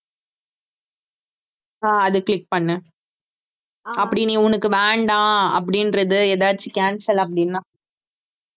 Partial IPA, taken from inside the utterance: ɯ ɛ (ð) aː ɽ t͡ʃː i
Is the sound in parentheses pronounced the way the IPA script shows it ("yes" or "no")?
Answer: yes